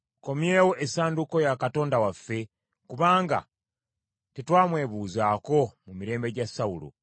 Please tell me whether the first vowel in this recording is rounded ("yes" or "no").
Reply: yes